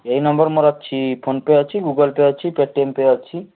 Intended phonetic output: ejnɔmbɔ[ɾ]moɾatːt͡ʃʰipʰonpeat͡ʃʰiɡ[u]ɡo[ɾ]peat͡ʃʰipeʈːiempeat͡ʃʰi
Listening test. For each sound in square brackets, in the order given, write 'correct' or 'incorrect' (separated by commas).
correct, correct, incorrect